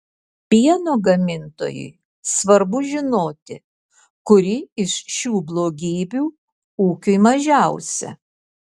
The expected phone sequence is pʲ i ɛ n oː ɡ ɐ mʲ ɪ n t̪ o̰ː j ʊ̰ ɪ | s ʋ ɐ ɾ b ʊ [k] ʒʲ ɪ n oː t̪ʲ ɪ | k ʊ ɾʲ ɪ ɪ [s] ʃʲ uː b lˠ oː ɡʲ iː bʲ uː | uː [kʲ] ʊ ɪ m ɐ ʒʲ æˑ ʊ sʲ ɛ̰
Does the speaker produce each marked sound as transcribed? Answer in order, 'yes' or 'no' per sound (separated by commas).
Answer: no, no, yes